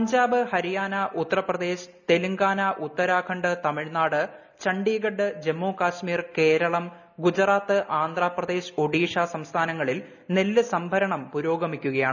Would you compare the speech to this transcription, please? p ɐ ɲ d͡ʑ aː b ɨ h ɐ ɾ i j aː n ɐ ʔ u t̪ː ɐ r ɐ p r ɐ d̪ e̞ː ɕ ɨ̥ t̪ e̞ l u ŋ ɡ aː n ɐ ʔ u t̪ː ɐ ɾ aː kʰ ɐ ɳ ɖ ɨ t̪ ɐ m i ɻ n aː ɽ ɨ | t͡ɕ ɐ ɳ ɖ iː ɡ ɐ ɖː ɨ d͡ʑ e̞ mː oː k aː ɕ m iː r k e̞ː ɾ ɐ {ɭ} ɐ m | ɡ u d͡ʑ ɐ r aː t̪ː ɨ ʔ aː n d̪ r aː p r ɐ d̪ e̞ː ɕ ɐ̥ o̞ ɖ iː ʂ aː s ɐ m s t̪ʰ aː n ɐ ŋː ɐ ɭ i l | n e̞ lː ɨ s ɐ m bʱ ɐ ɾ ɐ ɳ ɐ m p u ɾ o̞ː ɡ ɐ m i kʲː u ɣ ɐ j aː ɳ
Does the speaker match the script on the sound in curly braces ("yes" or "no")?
yes